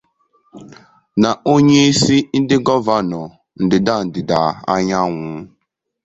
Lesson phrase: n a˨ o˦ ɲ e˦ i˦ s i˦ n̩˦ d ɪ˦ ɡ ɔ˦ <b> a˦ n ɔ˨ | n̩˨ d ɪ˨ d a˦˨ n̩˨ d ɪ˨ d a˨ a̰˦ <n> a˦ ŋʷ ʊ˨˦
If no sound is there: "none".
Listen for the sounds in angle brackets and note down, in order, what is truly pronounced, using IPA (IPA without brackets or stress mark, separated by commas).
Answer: v, ɲ